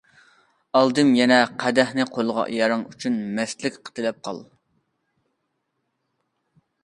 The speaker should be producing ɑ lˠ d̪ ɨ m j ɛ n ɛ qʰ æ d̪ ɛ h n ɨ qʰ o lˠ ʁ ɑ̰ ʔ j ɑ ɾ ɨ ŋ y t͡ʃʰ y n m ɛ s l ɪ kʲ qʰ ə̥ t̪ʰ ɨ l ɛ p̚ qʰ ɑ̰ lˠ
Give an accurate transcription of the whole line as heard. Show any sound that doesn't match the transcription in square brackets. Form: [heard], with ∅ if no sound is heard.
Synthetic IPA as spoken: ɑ lˠ d̪ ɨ m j ɛ n ɛ qʰ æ d̪ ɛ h n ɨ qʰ o lˠ ʁ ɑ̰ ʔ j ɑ ɾ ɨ ŋ y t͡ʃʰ y n m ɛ s l ɪ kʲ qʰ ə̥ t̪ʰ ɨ l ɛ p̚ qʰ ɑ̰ lˠ

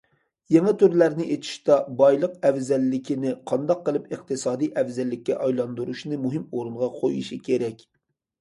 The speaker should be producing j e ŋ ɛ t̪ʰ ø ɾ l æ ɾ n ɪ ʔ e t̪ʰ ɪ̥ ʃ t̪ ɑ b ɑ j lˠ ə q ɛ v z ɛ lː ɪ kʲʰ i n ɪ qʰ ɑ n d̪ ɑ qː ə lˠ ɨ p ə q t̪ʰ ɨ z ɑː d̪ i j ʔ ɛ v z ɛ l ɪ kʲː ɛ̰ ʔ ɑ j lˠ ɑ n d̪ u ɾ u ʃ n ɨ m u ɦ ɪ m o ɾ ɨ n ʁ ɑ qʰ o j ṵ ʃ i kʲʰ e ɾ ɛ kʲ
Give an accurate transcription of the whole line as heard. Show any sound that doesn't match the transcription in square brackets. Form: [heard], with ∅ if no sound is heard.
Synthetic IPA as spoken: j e ŋ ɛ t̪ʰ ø ɾ l æ ɾ n ɪ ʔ e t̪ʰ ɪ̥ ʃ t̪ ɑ b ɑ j lˠ ə q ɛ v z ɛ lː ɪ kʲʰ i n ɪ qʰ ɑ n d̪ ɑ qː ə lˠ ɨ p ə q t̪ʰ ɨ [s] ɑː d̪ i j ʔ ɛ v z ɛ [lː] ɪ kʲː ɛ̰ ʔ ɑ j lˠ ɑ n d̪ u ɾ u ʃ n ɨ m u ɦ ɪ m o ɾ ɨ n ʁ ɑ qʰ o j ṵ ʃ i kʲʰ e ɾ ɛ kʲ

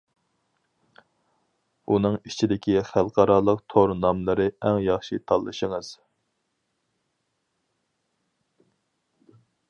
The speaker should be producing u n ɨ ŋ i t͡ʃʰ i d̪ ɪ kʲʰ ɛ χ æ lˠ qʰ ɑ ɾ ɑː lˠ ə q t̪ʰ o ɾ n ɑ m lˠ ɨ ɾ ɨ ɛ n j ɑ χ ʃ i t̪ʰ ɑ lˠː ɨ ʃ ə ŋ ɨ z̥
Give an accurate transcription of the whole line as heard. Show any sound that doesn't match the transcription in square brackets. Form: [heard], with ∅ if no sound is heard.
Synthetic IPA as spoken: u n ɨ ŋ i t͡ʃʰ i d̪ ɪ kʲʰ [i] χ æ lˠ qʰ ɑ ɾ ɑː lˠ ə q t̪ʰ o ɾ n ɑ m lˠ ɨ ɾ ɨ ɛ [ŋ] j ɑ χ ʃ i t̪ʰ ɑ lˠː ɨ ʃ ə ŋ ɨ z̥

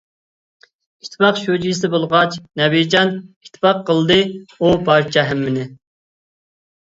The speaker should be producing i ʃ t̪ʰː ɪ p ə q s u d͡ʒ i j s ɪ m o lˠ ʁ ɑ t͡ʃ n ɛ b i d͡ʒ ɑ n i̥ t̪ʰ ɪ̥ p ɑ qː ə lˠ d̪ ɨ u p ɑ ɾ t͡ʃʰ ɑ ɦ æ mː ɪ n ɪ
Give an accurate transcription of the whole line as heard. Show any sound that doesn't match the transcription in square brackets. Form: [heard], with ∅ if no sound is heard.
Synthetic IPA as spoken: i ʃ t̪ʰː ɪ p [ɑ] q [ʃ] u d͡ʒ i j s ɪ [b] o lˠ ʁ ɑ t͡ʃ n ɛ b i d͡ʒ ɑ n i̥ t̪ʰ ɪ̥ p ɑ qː ə lˠ d̪ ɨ u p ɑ ɾ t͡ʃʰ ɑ ɦ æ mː ɪ n ɪ

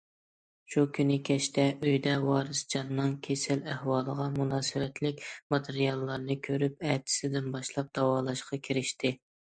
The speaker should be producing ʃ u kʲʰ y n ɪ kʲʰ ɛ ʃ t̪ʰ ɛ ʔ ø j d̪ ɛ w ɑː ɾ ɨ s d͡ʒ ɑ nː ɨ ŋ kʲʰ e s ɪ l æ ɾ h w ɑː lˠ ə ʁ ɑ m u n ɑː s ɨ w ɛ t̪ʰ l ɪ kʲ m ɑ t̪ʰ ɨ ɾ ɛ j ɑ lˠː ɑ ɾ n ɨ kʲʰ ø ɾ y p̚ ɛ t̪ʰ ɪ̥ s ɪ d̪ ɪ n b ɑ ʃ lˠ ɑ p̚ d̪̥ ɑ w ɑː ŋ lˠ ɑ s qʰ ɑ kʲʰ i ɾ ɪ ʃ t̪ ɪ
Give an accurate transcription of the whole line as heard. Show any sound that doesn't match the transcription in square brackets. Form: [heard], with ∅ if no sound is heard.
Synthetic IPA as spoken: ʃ u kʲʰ y n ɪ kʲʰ ɛ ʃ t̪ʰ ɛ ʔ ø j d̪ ɛ w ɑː ɾ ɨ s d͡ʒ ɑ nː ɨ ŋ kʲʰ e s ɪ l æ [∅] h w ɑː lˠ ə ʁ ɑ m u n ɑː s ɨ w ɛ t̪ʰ l ɪ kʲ m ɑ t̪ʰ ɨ ɾ [i] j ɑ lˠː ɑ ɾ n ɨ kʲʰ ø ɾ y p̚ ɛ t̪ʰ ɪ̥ s ɪ d̪ ɪ n b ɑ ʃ lˠ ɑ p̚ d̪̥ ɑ w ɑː [∅] lˠ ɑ [ʃ] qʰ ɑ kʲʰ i ɾ ɪ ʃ t̪ ɪ

